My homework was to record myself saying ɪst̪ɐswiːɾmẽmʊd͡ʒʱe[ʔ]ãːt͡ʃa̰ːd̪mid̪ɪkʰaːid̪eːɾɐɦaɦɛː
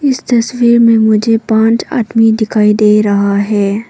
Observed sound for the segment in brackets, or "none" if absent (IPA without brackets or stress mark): p